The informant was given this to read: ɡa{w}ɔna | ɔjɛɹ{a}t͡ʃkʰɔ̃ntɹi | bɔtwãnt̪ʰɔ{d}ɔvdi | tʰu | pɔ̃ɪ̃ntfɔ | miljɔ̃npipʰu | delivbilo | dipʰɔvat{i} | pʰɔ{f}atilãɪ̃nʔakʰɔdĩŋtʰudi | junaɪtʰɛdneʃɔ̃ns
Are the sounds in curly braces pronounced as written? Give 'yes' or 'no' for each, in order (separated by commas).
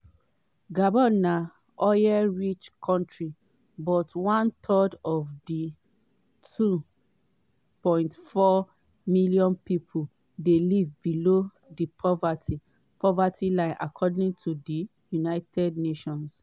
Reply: no, no, yes, yes, no